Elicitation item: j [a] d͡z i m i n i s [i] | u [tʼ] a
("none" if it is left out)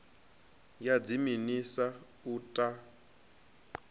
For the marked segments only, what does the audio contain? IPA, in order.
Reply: a, a, tʼ

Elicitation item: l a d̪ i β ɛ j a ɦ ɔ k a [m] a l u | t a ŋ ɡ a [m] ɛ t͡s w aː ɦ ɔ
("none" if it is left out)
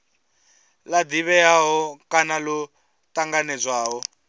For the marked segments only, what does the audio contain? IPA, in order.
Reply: n, n

